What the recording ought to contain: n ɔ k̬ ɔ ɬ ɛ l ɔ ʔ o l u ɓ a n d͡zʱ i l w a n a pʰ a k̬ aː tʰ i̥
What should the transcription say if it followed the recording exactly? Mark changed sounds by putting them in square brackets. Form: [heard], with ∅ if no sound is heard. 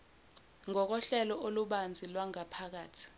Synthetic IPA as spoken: [ŋ] ɔ k̬ ɔ ɬ ɛ l ɔ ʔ o l u ɓ a n d͡zʱ i l w a [ŋ] a pʰ a k̬ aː tʰ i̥